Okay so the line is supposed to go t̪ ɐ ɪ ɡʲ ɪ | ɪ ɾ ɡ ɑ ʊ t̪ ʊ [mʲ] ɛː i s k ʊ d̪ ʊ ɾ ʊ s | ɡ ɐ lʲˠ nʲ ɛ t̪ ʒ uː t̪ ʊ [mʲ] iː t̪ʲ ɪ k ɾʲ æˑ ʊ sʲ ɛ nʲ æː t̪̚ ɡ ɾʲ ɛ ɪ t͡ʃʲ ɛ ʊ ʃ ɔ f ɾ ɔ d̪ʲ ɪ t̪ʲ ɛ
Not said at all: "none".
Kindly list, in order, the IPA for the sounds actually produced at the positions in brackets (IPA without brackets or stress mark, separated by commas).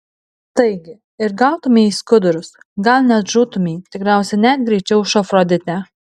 mʲ, mʲ